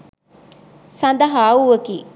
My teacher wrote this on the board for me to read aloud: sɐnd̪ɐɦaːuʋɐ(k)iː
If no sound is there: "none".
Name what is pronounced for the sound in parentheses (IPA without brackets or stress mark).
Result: k